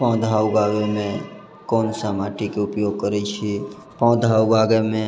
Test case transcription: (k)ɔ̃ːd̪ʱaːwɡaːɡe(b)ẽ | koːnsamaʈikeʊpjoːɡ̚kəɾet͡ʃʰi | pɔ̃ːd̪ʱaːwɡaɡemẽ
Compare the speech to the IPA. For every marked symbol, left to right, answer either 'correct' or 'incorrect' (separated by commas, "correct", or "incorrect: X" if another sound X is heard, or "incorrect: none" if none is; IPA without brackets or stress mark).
incorrect: p, incorrect: m